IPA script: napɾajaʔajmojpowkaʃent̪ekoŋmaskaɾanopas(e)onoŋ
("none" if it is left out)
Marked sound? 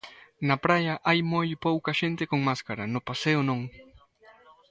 e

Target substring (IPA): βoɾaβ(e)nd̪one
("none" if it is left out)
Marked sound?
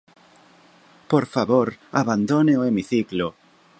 a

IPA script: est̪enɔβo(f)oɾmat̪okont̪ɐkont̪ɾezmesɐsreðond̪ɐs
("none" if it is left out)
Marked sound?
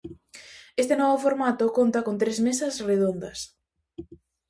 f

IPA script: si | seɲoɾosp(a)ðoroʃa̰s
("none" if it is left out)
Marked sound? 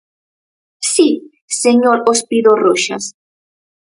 i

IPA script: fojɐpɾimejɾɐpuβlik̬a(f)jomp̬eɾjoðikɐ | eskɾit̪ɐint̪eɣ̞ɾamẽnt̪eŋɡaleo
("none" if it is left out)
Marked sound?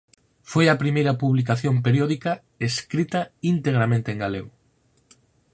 θ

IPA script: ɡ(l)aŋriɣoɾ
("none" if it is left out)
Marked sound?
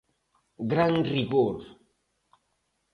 ɾ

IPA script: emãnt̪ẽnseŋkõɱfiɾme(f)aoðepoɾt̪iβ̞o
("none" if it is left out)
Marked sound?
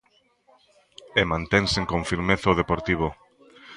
θ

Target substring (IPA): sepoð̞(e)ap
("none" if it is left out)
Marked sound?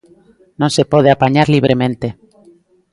e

